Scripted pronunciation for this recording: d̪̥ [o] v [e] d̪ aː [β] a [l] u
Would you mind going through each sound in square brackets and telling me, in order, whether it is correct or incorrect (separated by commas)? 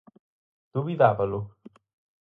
incorrect, incorrect, incorrect, correct